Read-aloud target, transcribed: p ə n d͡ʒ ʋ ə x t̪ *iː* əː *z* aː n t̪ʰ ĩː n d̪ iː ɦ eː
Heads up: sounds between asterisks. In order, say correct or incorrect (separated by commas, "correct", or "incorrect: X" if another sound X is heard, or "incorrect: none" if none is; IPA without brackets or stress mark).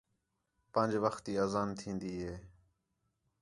correct, correct